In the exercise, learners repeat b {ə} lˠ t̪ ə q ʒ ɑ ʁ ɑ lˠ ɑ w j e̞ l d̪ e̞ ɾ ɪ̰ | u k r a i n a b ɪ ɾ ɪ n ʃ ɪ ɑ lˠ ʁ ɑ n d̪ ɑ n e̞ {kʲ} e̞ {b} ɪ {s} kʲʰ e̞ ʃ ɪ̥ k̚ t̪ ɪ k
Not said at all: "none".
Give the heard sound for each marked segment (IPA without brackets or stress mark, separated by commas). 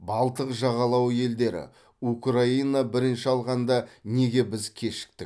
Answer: ɑ, ɡʲ, b, z